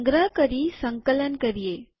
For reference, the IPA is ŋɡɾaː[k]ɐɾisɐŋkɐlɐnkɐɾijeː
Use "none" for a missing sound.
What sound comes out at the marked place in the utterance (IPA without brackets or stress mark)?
k